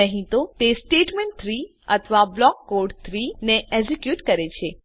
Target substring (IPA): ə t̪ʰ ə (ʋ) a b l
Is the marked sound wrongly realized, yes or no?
no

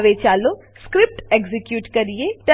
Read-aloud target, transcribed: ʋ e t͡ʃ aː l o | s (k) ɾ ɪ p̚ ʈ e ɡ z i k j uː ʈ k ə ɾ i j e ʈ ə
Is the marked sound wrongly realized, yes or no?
no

